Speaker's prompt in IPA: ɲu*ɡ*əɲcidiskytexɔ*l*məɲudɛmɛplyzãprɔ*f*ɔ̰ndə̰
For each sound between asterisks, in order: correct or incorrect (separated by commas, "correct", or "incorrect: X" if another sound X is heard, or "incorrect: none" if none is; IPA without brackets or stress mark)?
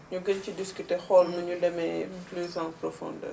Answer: correct, correct, correct